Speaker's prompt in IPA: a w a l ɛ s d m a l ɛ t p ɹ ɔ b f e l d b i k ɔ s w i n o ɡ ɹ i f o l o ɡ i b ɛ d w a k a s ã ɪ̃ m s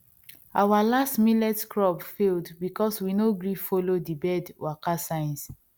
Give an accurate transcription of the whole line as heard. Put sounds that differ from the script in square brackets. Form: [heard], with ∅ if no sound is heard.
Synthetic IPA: a w a l [a] s [t] m [i] l ɛ t [k] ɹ ɔ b f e l d b i k ɔ s w i n o ɡ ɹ i f o l o [d] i b ɛ d w a k a s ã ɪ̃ [n] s